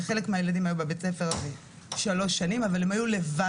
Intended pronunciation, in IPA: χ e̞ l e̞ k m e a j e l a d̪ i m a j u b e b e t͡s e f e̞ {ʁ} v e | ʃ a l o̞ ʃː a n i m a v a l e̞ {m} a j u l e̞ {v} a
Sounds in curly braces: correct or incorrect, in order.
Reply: correct, correct, correct

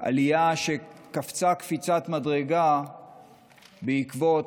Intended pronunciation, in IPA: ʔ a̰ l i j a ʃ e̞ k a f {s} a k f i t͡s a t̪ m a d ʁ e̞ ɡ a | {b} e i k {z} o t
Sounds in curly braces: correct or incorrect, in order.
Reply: incorrect: t͡s, correct, incorrect: v

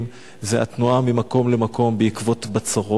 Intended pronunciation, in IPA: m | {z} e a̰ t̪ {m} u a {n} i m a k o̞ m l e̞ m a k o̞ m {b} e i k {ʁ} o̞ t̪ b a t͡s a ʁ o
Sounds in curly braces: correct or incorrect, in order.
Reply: correct, incorrect: n, incorrect: m, correct, incorrect: v

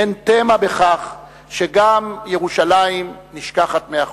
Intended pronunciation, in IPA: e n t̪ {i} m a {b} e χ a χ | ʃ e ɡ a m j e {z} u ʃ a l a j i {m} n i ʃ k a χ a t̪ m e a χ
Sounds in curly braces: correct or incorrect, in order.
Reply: incorrect: e, correct, incorrect: ʁ, correct

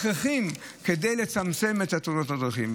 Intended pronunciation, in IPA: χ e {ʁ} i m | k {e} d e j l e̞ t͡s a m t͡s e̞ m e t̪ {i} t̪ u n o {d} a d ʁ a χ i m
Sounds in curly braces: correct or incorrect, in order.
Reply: incorrect: χ, correct, incorrect: a, incorrect: t

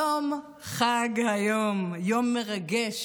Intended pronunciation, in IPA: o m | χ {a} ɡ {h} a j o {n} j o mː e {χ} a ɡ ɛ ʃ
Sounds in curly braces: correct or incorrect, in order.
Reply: correct, correct, incorrect: m, incorrect: ʁ

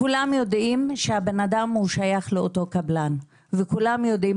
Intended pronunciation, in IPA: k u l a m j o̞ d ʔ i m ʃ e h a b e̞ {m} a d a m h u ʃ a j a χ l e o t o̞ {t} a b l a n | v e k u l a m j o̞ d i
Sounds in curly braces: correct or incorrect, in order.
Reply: incorrect: n, incorrect: k

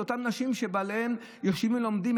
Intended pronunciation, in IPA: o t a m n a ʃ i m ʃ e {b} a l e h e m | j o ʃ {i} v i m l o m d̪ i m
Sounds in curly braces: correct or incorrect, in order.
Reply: correct, correct

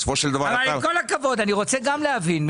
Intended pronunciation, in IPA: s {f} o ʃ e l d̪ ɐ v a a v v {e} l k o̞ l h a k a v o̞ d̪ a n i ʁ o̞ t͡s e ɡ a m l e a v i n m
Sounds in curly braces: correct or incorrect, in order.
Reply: correct, incorrect: a

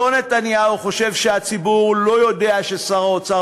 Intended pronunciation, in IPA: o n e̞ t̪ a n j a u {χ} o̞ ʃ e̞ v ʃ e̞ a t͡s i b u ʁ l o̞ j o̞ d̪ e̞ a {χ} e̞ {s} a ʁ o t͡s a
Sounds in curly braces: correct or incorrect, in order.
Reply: correct, incorrect: ʃ, correct

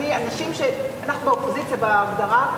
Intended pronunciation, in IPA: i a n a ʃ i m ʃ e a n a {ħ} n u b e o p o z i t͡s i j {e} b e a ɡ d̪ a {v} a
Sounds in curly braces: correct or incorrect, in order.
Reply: incorrect: χ, incorrect: a, incorrect: ʁ

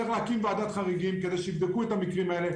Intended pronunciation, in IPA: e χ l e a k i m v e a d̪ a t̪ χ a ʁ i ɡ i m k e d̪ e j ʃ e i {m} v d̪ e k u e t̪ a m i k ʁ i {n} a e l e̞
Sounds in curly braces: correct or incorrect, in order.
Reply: incorrect: none, incorrect: m

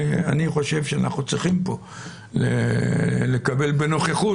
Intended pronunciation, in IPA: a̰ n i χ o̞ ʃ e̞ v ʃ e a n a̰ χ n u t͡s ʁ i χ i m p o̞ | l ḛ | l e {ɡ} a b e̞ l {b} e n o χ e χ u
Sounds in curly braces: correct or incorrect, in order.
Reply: incorrect: k, correct

